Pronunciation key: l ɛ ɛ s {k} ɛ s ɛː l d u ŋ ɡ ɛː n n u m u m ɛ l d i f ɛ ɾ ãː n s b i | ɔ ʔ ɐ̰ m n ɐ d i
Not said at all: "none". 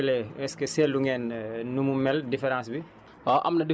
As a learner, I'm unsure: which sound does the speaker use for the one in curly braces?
k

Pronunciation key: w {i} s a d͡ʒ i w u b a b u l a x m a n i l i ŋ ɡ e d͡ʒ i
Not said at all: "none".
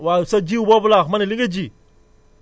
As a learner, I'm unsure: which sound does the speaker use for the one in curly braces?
a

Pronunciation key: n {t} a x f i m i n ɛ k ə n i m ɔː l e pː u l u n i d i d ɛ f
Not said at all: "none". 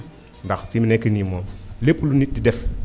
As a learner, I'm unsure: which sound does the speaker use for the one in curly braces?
d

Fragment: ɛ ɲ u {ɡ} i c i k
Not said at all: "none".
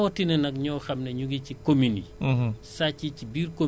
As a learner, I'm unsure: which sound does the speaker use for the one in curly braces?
ɡ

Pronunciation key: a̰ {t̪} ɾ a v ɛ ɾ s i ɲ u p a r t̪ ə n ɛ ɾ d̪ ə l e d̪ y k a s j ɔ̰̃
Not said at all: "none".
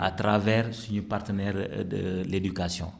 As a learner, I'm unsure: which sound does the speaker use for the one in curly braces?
t̪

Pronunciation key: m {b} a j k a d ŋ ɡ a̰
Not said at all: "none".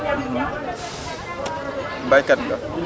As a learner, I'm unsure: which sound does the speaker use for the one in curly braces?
b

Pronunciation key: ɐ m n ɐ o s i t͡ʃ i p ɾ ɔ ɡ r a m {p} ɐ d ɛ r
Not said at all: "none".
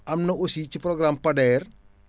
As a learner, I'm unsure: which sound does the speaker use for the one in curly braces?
p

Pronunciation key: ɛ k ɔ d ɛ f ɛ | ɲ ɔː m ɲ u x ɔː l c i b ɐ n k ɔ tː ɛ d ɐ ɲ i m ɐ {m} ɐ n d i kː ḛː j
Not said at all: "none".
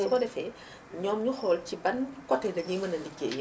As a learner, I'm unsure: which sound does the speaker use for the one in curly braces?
n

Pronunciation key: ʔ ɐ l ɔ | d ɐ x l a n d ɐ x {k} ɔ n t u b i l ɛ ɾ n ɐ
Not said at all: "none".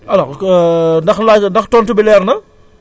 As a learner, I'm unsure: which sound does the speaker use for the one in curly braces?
t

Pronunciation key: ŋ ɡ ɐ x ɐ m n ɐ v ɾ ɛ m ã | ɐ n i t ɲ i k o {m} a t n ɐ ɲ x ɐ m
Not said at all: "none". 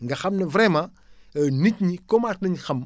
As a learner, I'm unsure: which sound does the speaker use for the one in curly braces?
m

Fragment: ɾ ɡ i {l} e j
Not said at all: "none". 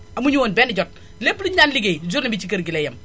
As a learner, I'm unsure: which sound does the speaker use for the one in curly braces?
l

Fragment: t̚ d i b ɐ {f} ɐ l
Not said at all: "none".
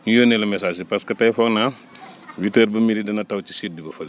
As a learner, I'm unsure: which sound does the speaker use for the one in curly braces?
f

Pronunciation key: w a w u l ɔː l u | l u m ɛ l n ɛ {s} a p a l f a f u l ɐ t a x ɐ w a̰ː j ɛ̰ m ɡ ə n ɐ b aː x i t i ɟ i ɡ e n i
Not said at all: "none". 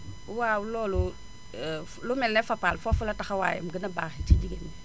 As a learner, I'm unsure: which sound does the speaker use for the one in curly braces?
f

